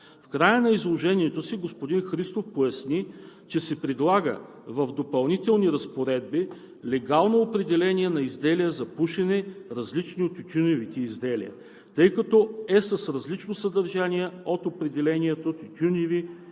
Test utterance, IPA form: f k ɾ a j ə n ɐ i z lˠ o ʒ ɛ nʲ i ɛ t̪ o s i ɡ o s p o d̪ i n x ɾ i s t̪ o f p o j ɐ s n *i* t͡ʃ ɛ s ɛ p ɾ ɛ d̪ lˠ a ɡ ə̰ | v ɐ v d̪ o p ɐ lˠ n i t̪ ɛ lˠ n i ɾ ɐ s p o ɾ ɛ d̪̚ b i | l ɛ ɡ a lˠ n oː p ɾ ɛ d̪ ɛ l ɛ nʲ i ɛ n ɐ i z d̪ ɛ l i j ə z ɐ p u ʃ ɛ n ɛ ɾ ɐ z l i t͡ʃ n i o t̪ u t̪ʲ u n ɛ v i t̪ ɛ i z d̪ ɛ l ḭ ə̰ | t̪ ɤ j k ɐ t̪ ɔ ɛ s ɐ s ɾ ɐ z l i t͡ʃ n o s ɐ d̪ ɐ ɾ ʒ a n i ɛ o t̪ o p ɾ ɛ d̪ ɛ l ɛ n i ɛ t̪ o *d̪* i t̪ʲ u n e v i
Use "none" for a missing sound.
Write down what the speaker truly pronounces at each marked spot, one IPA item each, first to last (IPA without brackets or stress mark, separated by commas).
i, t̪